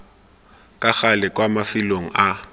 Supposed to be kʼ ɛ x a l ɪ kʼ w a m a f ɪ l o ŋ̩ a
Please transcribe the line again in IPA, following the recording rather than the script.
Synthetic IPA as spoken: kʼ a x a l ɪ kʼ w a m a f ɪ l o ŋ̩ a